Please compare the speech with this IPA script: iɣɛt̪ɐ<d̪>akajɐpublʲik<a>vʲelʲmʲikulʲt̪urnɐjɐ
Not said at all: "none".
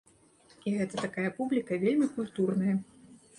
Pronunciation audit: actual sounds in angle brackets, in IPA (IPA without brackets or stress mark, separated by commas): t̪, ɐ